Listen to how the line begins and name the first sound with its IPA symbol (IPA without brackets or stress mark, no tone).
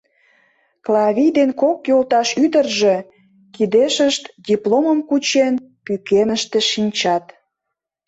k